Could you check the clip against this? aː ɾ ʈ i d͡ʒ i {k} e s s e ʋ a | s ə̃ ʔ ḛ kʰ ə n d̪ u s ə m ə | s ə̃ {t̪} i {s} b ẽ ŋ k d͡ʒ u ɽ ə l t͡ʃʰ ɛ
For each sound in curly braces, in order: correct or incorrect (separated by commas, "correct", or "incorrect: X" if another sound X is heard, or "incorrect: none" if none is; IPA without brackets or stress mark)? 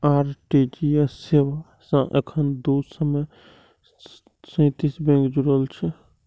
incorrect: none, correct, correct